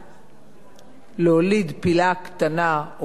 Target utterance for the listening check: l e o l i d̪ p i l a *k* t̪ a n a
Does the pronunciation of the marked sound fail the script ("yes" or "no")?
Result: no